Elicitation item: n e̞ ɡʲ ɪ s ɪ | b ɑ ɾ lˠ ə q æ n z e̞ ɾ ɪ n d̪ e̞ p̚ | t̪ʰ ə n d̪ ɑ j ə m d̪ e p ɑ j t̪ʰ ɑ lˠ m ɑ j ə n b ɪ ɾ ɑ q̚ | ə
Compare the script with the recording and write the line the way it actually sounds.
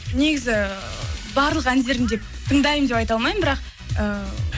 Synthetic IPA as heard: n e̞ ɡʲ ɪ z ɪ | b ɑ ɾ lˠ ə q æ n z e̞ ɾ ɪ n d̪ e̞ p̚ | t̪ʰ ə ɴ d̪ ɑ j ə m d̪ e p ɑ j t̪ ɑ lˠ m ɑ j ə m b ɪ ɾ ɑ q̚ | ə